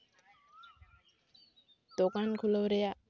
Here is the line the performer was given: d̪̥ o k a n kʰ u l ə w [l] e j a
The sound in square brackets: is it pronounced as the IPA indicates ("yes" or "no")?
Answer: no